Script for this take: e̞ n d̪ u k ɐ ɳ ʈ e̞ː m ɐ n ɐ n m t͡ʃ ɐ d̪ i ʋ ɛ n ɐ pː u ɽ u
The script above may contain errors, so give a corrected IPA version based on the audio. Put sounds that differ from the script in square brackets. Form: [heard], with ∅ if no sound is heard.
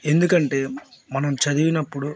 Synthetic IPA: e̞ n d̪ u k ɐ ɳ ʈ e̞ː m ɐ n ɐ [∅] m t͡ʃ ɐ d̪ i ʋ [i] n ɐ pː u ɽ u